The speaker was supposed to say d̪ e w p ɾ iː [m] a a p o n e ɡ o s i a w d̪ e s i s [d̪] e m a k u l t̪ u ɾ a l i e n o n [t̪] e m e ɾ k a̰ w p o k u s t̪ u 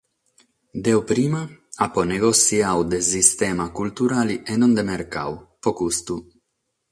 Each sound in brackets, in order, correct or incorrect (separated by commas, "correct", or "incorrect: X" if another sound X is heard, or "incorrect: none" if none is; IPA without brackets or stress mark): correct, incorrect: t̪, incorrect: d̪